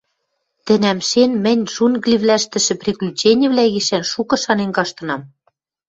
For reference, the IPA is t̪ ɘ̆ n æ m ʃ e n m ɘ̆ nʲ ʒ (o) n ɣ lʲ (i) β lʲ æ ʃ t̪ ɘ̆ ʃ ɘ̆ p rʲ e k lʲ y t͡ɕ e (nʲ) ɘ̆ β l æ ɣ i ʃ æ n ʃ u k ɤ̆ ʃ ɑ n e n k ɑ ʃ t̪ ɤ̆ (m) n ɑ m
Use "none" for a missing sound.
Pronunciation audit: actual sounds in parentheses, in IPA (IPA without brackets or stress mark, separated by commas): u, i, nʲ, none